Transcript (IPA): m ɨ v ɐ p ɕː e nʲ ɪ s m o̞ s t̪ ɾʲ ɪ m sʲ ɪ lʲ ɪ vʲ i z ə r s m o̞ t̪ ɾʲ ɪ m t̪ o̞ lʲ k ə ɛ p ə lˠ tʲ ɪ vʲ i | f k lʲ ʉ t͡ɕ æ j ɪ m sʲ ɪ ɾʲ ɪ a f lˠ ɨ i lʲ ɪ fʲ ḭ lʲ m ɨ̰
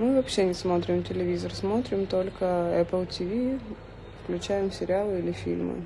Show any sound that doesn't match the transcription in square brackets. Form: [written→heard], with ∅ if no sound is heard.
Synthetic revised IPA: m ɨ v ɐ p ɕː e nʲ ɪ s m o̞ [s→∅] t̪ ɾʲ ɪ m [sʲ→tʲ] ɪ lʲ ɪ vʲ i z ə r s m o̞ t̪ ɾʲ ɪ m t̪ o̞ lʲ k ə ɛ p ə lˠ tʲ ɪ vʲ i | f k lʲ ʉ t͡ɕ æ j ɪ m sʲ ɪ ɾʲ ɪ a [f→∅] lˠ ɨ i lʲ ɪ fʲ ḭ lʲ m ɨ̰